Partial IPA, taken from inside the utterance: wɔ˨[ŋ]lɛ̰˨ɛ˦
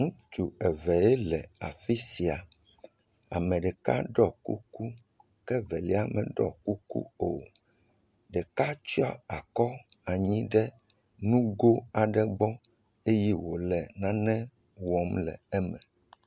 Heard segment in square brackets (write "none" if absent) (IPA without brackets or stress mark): m